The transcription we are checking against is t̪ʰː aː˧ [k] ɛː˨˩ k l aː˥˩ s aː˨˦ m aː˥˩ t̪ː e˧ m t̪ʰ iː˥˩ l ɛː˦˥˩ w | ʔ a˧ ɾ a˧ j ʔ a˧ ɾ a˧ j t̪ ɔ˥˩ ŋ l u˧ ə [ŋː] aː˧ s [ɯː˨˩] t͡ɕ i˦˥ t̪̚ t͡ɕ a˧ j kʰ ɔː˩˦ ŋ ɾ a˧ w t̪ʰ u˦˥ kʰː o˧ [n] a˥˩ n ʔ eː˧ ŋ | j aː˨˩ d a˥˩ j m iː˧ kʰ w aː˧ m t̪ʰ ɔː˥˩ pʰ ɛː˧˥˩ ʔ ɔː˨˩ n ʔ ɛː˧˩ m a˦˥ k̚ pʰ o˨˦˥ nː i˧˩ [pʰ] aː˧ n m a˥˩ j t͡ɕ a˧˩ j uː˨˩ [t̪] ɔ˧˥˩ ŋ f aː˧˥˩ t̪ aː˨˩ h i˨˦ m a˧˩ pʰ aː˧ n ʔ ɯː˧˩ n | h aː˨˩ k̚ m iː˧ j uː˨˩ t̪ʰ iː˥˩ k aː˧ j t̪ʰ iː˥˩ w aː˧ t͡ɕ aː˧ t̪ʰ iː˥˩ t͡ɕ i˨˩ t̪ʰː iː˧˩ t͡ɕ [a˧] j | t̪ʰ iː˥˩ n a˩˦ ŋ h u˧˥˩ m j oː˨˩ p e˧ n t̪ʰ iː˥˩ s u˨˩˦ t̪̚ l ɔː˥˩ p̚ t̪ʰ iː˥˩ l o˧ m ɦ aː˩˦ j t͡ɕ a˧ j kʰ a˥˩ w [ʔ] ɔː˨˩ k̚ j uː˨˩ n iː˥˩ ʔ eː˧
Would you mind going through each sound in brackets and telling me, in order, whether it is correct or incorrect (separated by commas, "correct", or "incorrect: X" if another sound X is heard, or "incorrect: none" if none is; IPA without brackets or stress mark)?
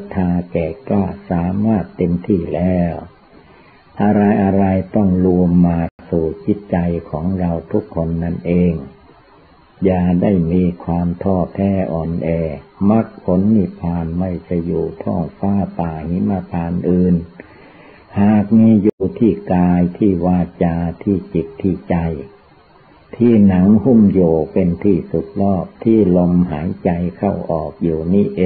correct, incorrect: mː, incorrect: uː˨˩, incorrect: nː, correct, incorrect: t̪ʰ, correct, correct